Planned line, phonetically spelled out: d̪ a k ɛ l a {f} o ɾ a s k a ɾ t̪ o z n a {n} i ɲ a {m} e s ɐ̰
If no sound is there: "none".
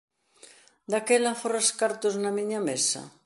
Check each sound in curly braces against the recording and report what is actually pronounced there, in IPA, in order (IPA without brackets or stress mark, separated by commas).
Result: f, m, m